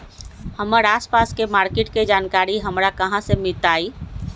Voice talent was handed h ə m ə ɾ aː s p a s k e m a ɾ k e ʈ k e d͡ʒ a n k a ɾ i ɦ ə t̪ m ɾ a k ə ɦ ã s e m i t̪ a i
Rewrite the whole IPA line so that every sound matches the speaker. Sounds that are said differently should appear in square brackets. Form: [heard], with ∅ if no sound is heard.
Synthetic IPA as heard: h ə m ə ɾ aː s p a s k e m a ɾ k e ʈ k e d͡ʒ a n k a ɾ i ɦ ə [∅] m ɾ a k ə ɦ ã s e m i t̪ a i